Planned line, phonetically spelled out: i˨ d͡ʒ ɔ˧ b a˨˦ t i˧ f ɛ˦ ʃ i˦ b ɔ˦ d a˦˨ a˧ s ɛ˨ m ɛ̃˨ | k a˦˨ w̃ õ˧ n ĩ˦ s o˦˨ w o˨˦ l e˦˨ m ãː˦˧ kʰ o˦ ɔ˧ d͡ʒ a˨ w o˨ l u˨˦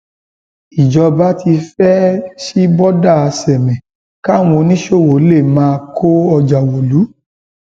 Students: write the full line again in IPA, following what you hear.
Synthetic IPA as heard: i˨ d͡ʒ ɔ˧ b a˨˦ t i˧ f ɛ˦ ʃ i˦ b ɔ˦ d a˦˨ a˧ s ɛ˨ m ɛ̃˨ | k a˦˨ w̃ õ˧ n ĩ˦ ʃ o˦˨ w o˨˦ l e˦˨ m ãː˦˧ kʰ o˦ ɔ˧ d͡ʒ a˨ w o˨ l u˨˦